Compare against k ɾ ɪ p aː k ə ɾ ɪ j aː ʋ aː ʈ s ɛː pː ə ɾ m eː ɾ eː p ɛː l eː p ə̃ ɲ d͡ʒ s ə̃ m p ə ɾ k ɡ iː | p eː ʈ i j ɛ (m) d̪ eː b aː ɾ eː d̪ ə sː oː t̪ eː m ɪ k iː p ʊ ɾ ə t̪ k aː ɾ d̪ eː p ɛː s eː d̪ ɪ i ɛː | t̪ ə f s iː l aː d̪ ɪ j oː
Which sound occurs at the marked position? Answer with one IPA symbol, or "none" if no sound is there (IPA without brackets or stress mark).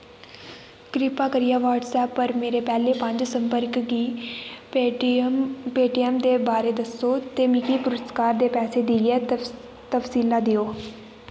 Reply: m